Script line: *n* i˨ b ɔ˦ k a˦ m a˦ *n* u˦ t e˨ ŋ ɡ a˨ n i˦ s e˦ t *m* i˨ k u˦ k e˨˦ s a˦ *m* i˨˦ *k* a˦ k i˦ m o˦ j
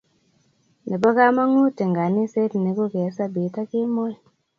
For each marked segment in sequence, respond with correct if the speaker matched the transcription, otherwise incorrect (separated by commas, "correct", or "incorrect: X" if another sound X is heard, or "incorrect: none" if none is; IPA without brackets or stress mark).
correct, incorrect: ŋ, incorrect: n, incorrect: b, incorrect: t